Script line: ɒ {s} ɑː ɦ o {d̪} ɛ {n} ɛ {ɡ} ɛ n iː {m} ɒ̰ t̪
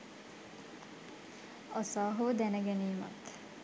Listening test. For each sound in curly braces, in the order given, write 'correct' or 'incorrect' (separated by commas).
correct, correct, correct, correct, correct